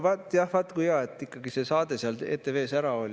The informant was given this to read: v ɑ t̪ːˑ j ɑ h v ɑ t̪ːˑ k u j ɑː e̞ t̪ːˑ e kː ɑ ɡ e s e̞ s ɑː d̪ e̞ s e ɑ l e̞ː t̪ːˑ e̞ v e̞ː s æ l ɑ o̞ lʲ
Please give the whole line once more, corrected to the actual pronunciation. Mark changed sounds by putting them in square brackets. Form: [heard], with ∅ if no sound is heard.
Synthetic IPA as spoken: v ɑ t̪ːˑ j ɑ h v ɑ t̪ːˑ k u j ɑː e̞ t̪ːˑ [i] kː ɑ ɡ [i] s e̞ s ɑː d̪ e̞ s e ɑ l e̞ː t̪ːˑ e̞ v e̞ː s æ [ɾ] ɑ o̞ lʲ

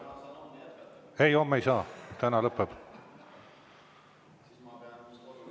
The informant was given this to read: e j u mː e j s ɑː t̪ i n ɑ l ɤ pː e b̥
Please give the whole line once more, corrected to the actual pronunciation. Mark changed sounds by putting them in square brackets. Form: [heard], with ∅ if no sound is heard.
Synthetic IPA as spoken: e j [o] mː e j s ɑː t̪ [æ] n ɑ l ɤ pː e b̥

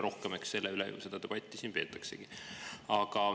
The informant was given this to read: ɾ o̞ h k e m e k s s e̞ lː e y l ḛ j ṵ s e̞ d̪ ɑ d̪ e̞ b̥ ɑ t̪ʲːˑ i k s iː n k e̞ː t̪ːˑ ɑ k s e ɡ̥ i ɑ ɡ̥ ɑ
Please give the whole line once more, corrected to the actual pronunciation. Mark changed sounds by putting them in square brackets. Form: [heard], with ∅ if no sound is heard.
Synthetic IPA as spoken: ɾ o̞ h k e m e k s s e̞ lː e y l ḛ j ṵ s e̞ d̪ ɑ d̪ e̞ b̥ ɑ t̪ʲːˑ i [∅] s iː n [p] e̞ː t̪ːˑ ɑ k s e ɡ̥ i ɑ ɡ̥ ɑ

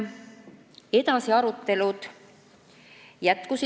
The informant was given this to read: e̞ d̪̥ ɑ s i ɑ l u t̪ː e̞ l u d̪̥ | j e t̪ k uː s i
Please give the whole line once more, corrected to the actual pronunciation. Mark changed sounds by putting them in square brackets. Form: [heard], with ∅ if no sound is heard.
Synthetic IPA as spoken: e̞ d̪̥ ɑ s i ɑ [ɾ] u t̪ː e̞ l u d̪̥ | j [æ] t̪ k [u] s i

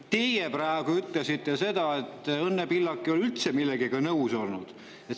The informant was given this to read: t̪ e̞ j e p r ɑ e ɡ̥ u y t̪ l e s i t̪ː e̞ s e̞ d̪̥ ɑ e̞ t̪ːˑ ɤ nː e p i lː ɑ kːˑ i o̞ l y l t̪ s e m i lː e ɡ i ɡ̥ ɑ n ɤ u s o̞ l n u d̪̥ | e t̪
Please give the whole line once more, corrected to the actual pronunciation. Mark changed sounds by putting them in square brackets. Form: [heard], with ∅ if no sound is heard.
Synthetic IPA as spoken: t̪ e̞ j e p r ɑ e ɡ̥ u y t̪ l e s i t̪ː e̞ s e̞ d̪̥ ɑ e̞ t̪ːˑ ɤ nː e p i lː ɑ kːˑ i o̞ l y l t̪ s e m i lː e ɡ i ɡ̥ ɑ n ɤ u s o̞ l n u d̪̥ | e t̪

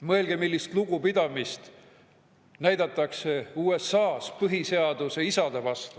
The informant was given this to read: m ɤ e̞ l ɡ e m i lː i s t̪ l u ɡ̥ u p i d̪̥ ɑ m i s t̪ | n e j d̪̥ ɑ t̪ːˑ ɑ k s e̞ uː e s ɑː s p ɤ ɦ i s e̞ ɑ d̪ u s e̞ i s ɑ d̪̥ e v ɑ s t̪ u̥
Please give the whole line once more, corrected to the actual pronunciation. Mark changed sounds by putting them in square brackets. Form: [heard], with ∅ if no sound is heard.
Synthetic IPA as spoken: m ɤ e̞ l ɡ e m i lː i s t̪ l u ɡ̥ u p i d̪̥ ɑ m i s t̪ | n [æ] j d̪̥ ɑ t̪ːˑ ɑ k s e̞ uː e s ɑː s p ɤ ɦ i s e̞ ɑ d̪ u s e̞ i s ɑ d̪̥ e v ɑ s t̪ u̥

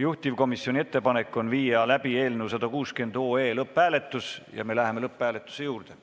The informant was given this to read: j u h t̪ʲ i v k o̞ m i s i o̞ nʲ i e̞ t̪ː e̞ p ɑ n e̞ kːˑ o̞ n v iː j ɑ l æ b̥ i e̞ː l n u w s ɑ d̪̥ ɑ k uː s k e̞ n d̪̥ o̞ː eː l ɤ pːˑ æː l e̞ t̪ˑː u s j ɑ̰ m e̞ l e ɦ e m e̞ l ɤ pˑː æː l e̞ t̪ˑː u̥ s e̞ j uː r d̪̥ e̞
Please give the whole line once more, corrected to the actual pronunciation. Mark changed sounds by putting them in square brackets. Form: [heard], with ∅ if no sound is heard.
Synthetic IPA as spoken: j u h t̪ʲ i v k o̞ m i s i o̞ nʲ i e̞ t̪ː e̞ p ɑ n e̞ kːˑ o̞ n v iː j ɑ l æ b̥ i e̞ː l n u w s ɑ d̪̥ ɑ k uː s k e̞ n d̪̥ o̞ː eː l ɤ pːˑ æː l e̞ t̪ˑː u s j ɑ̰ m e̞ l [æ] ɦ e m e̞ l ɤ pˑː æː l e̞ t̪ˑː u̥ s e̞ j uː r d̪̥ e̞

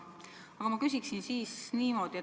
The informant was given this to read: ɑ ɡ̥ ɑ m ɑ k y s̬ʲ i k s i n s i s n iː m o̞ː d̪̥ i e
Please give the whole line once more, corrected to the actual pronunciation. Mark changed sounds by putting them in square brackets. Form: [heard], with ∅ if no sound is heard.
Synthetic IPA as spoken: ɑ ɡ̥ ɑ m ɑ k y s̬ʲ i k s i n s [iː] s n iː m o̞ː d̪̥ i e

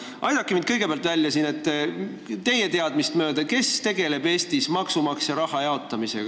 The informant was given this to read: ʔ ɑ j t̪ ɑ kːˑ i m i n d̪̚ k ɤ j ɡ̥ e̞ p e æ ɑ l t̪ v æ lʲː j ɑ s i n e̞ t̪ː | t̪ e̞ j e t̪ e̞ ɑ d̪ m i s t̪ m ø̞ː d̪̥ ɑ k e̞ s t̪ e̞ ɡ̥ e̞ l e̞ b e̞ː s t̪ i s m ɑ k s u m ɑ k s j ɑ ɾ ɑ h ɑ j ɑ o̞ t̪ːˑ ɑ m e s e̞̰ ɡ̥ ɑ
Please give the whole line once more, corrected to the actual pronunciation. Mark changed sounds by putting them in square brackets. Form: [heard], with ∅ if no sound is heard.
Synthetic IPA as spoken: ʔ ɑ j [d̪] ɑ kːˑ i m i n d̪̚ k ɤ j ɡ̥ e̞ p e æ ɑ l t̪ v æ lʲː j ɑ s i n e̞ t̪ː | t̪ e̞ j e t̪ e̞ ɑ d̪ m i s t̪ m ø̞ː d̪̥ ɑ k e̞ s t̪ e̞ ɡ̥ e̞ l e̞ b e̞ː s t̪ i s m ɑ k s u m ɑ k s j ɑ ɾ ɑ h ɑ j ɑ o̞ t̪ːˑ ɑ m [i] s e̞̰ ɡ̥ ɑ

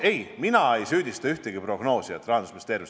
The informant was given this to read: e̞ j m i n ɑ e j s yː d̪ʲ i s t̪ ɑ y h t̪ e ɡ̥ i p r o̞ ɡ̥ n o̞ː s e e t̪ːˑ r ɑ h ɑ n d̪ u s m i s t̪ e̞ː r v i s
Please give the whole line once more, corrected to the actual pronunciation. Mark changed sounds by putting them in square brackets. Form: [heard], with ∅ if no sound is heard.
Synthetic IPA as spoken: e̞ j m i n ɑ e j s yː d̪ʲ i s t̪ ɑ y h t̪ e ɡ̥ i p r o̞ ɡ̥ n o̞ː s [i] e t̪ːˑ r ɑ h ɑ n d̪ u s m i s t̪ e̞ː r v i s

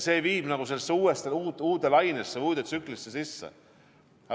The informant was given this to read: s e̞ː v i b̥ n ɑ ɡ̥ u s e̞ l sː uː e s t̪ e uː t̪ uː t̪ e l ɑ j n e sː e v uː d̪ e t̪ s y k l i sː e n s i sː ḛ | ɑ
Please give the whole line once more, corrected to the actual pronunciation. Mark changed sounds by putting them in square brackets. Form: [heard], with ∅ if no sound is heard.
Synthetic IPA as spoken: s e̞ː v [iː] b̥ n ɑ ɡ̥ u s e̞ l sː uː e s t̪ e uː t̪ uː t̪ e l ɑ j n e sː e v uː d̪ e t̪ s y k l i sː e [∅] s i sː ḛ | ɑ

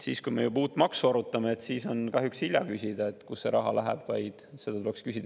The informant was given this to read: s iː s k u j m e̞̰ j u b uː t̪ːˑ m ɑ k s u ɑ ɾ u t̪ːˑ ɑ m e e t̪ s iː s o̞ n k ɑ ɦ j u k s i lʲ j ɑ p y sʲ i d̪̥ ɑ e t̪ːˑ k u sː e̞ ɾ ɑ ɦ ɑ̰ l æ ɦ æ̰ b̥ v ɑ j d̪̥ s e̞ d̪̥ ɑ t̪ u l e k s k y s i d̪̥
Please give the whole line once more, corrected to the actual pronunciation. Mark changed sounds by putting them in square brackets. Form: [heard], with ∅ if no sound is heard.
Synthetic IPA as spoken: s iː s k u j m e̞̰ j u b uː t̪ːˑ m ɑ k s u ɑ ɾ u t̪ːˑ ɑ m e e t̪ s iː s o̞ n k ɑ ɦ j u k s i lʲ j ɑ [k] y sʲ i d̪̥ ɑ e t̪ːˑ k u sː e̞ ɾ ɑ ɦ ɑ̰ l æ ɦ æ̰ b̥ v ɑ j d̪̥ s e̞ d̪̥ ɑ t̪ u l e k s k y s i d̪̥

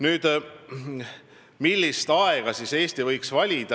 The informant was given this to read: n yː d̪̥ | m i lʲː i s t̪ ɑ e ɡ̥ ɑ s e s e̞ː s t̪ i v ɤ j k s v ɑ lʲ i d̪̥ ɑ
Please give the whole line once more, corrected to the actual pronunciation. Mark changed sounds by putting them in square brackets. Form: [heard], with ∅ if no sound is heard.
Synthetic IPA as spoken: n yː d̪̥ | m i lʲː i s t̪ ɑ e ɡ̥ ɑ s [i] s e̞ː s t̪ i v ɤ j k s v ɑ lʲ i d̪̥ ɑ

